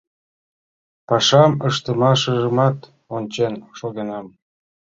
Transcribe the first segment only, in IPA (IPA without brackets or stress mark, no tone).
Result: p